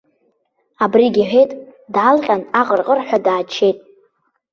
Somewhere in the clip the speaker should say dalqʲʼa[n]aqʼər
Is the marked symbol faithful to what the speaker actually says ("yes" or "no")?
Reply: yes